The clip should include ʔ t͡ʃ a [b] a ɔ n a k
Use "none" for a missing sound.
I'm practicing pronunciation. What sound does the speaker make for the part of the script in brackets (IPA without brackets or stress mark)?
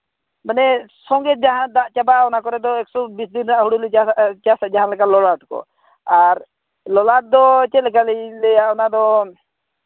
b